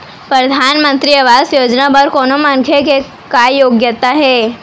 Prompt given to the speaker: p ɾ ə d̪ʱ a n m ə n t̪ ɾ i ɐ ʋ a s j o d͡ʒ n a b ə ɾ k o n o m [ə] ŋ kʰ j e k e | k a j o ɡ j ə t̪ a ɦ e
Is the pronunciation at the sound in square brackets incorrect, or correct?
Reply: incorrect